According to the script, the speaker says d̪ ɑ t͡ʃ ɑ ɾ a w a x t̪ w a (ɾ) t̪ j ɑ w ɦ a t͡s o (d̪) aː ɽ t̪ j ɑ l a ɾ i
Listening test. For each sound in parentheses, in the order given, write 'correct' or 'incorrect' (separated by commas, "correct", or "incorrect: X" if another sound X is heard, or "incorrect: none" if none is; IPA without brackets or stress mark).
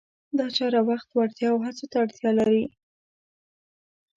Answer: incorrect: ɽ, incorrect: t̪